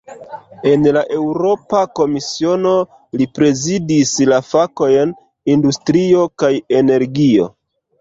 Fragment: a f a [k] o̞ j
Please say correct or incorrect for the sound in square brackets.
correct